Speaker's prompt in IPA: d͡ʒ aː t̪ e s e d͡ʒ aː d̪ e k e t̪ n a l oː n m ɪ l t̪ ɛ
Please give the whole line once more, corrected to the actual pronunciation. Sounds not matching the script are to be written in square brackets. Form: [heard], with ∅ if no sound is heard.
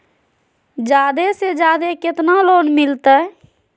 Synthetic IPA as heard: d͡ʒ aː [d̪] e s e d͡ʒ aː d̪ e k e t̪ n a l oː n m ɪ l t̪ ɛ